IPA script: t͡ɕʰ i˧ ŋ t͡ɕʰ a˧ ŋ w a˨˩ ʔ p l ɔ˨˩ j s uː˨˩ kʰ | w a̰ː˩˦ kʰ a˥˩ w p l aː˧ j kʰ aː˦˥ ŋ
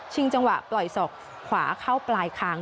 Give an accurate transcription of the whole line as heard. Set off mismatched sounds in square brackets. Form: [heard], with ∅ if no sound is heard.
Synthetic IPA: t͡ɕʰ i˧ ŋ [t͡ɕ] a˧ ŋ w a˨˩ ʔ p l ɔ˨˩ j s [ɔː˨˩] kʰ | w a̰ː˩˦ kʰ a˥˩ w p l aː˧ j kʰ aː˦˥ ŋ